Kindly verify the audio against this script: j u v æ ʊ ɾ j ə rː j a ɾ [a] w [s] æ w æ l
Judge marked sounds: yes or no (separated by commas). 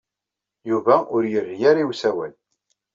no, yes